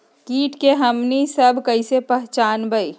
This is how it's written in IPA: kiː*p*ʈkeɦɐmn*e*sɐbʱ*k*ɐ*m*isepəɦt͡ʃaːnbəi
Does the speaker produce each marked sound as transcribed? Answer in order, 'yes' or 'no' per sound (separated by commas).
no, no, yes, no